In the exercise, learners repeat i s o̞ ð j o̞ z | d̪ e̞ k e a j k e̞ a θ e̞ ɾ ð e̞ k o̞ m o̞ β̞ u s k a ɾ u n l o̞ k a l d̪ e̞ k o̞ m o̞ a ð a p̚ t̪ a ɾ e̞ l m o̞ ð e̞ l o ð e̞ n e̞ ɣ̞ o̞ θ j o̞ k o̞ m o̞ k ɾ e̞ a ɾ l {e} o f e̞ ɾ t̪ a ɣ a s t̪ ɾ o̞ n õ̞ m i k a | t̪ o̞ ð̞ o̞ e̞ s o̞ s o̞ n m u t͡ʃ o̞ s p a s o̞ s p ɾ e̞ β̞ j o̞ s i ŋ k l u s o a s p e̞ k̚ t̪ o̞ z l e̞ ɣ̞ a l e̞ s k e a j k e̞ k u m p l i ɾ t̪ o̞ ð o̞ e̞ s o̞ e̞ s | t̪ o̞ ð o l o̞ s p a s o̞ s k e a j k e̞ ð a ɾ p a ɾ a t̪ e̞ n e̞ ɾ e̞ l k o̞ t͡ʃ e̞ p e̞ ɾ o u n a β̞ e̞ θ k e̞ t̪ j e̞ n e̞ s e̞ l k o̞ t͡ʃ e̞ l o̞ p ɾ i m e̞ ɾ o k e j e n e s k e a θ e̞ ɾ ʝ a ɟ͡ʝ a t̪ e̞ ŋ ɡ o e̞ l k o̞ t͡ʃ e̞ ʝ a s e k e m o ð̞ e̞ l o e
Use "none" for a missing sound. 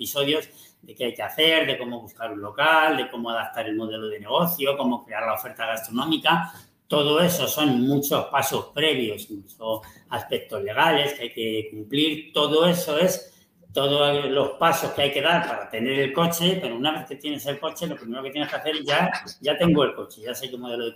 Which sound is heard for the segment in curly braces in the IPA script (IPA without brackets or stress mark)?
a